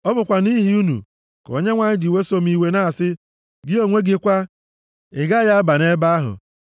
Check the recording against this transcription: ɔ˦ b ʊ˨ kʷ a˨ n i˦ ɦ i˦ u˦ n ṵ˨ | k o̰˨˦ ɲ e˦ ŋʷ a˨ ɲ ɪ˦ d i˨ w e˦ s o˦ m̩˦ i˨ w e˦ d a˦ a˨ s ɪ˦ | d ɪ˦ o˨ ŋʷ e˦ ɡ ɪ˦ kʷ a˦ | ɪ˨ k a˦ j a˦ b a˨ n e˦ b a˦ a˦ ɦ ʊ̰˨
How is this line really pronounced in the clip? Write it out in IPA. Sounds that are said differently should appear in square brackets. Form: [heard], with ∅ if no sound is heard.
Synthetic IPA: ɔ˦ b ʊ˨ kʷ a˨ n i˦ ɦ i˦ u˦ n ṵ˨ | k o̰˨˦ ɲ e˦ ŋʷ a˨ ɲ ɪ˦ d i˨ w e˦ s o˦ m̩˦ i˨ w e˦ [n] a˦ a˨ s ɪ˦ | [ɡ] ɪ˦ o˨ ŋʷ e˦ ɡ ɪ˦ kʷ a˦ | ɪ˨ [ɡ] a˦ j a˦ b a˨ n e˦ b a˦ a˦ ɦ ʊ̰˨